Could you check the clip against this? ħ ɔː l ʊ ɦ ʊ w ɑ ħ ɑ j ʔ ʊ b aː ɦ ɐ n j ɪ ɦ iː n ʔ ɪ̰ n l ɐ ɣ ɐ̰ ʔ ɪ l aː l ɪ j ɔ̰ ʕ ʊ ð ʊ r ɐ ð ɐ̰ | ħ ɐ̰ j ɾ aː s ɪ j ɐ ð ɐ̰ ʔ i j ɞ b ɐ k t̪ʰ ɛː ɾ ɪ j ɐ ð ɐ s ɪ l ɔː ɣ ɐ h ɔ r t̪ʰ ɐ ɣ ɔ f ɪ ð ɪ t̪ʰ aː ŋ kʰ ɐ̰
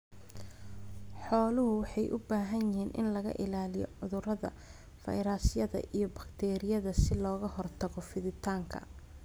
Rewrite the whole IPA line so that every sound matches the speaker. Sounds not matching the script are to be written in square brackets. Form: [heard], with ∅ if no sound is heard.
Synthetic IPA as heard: ħ ɔː l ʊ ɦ ʊ w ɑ ħ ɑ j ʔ ʊ b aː ɦ ɐ n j ɪ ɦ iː n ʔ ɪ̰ n l ɐ ɣ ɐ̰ ʔ ɪ l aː l ɪ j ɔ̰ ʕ ʊ ð ʊ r ɐ ð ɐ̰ | [f] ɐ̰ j ɾ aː s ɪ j ɐ ð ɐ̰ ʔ i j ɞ b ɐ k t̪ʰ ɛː ɾ ɪ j ɐ ð ɐ s ɪ l ɔː ɣ ɐ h ɔ r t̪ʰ ɐ ɣ ɔ f ɪ ð ɪ t̪ʰ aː ŋ kʰ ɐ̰